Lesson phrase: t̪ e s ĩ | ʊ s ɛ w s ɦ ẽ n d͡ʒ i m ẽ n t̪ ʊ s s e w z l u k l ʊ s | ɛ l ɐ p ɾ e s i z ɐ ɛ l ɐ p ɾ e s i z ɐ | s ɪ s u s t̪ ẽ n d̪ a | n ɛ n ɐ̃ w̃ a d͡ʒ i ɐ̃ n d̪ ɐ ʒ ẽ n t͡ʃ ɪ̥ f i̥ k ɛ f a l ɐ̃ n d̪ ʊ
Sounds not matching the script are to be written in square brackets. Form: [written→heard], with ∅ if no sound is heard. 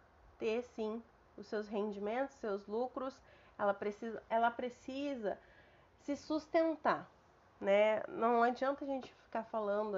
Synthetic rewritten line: t̪ e s ĩ | ʊ s [ɛ→e] w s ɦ ẽ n d͡ʒ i m ẽ n t̪ ʊ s s e w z l u k [l→ɾ] ʊ s | ɛ l ɐ p ɾ e s i z ɐ ɛ l ɐ p ɾ e s i z ɐ | s ɪ s u s t̪ ẽ n [d̪→t̪] a | n ɛ n ɐ̃ w̃ a d͡ʒ i ɐ̃ n [d̪→t̪] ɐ ʒ ẽ n t͡ʃ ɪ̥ f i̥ k [ɛ→a] f a l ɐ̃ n d̪ ʊ